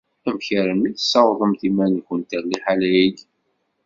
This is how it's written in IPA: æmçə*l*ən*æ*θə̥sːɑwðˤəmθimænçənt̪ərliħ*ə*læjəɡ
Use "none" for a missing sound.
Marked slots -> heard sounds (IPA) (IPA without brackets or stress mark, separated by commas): ɾ, i, a